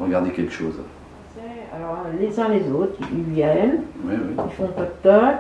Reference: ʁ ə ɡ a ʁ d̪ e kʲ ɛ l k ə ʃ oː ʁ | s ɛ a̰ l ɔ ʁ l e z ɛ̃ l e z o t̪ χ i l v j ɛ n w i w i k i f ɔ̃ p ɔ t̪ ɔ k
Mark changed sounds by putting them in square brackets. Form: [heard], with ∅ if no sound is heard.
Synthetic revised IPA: ʁ ə ɡ a ʁ d̪ e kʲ ɛ l k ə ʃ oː [z] | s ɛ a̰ l ɔ ʁ l e z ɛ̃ l e z o t̪ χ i l v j ɛ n w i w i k i f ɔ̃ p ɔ t̪ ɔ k